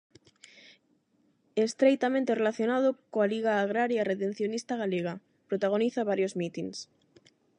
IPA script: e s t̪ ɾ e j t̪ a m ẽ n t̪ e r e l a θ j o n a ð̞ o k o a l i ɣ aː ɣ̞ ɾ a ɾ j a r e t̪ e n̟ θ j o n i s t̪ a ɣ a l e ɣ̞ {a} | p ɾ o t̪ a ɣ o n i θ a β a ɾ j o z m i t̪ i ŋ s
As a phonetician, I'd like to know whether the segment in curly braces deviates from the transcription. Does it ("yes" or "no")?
no